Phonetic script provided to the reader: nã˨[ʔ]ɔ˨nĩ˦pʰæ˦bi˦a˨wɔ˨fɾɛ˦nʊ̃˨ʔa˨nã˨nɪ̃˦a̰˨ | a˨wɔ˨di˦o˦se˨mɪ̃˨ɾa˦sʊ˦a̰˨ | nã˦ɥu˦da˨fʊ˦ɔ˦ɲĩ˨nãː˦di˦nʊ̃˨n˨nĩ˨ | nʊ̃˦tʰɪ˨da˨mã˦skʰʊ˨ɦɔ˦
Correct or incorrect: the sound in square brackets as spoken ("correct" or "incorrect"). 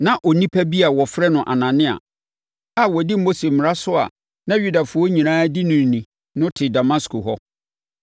correct